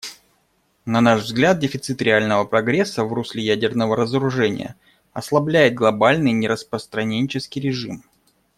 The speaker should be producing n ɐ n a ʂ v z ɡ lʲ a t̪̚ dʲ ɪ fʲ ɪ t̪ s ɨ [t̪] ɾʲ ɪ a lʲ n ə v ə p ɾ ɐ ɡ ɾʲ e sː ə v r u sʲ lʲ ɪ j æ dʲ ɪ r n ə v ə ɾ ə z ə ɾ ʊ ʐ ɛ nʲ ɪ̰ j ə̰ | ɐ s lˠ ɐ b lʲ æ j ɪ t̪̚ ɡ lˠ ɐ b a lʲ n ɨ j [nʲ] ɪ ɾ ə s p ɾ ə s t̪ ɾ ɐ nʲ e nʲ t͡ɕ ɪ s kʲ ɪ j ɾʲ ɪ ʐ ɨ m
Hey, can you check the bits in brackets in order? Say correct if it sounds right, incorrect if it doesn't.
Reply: correct, correct

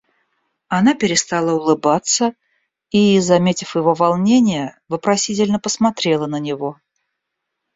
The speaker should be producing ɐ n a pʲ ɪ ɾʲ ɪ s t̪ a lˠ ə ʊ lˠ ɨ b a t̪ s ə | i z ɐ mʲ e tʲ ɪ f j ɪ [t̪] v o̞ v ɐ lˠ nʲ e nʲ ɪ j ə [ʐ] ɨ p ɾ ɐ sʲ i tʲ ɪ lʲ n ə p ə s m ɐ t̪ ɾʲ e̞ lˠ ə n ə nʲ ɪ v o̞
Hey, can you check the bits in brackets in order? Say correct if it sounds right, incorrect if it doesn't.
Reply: incorrect: none, incorrect: v

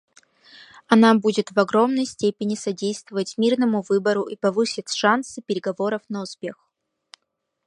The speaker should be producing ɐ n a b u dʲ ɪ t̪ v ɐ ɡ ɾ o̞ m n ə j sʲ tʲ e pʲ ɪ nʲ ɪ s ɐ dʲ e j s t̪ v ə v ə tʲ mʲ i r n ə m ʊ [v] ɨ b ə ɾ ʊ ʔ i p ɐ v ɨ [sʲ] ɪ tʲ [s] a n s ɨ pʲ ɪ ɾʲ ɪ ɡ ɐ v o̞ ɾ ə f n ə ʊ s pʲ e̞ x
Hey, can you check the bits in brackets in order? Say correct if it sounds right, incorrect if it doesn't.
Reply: correct, correct, incorrect: ʂ

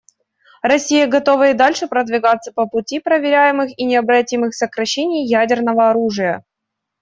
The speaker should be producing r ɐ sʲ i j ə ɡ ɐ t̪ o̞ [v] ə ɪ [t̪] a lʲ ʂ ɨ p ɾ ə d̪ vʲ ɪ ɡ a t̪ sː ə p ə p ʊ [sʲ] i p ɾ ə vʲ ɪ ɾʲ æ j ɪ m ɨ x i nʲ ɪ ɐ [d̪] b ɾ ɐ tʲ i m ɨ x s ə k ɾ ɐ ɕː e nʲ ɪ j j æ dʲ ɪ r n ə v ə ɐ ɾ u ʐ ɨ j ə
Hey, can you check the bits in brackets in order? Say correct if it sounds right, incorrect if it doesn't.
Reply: correct, incorrect: d̪, incorrect: tʲ, incorrect: none

